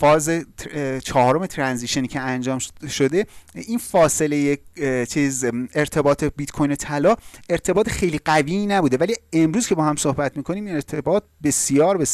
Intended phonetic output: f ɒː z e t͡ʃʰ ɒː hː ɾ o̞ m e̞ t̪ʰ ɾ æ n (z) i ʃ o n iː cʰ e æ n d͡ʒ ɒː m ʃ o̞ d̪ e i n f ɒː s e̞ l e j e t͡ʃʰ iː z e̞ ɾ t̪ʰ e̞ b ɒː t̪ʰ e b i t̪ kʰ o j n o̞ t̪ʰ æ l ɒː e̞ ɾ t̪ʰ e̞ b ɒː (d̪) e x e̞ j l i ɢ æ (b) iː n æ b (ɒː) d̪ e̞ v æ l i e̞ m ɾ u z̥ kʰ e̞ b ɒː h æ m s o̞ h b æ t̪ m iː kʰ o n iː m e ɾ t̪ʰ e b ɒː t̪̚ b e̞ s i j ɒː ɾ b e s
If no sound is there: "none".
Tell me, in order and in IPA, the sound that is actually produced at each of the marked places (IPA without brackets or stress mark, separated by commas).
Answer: z, t̪, v, uː